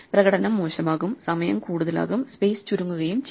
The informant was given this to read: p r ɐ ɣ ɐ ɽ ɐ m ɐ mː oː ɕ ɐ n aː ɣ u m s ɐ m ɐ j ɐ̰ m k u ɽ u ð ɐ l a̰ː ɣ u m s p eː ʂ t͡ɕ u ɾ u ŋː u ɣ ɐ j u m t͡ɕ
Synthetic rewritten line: p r ɐ ɣ ɐ ɽ ɐ n ɐ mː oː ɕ ɐ m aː ɣ u m s ɐ m ɐ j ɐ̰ m k uː ɽ u ð ɐ l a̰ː ɣ u m s p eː s t͡ɕ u ɾ u ŋː u ɣ ɐ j u m t͡ɕ